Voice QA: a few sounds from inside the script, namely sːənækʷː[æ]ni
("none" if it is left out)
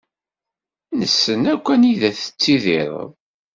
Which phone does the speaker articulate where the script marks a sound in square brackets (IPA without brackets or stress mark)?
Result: æ